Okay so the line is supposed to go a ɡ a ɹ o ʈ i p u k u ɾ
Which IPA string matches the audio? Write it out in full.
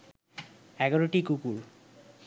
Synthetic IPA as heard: ɛ ɡ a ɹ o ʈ i k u k u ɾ